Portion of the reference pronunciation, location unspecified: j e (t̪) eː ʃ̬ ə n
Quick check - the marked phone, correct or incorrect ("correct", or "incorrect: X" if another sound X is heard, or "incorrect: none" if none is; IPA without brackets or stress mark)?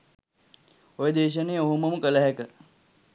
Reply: incorrect: d̪